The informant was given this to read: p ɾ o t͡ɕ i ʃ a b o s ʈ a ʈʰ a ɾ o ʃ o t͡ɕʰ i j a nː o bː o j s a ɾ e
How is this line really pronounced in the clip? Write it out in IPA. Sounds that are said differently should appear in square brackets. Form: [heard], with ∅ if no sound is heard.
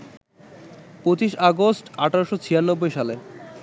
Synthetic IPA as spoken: p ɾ o t͡ɕ i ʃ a [ɡ] o s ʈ a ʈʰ a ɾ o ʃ o t͡ɕʰ i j a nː o bː o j [ʃ] a [l] e